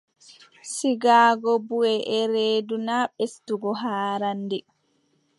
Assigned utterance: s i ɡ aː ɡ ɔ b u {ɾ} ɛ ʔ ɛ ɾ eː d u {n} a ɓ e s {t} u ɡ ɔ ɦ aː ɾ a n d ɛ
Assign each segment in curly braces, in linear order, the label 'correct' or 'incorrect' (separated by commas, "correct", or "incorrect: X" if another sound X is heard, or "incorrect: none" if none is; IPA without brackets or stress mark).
incorrect: none, correct, correct